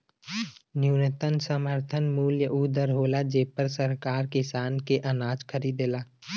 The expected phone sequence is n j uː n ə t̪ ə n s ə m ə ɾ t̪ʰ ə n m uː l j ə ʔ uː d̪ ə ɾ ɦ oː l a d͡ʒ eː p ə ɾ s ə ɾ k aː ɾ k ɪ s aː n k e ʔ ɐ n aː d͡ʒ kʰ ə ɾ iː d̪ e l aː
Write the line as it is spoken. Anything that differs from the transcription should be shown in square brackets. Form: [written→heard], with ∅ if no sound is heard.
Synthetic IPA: n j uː n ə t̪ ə n s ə m ə ɾ t̪ʰ ə n m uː l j ə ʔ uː d̪ ə ɾ ɦ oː l a d͡ʒ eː p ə ɾ s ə ɾ k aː ɾ k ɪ s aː n k e ʔ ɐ n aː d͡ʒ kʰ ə ɾ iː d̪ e l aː